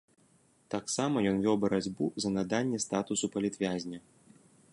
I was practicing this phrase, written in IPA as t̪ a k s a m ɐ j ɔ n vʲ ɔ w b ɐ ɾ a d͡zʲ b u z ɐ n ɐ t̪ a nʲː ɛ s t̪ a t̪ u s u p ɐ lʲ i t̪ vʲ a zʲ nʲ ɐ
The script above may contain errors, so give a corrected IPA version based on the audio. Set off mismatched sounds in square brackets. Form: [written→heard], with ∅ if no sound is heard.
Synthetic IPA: t̪ a k s a m ɐ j ɔ n vʲ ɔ w b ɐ ɾ a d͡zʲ b u z ɐ n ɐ [t̪→d̪] a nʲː ɛ s t̪ a t̪ u s u p ɐ lʲ i t̪ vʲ a zʲ nʲ ɐ